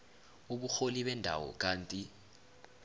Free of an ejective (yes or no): no